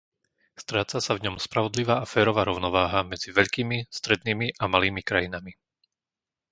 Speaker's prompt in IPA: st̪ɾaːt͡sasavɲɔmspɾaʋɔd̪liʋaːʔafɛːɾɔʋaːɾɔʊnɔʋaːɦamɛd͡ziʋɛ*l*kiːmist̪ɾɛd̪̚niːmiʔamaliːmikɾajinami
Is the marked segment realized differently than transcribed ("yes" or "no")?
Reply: yes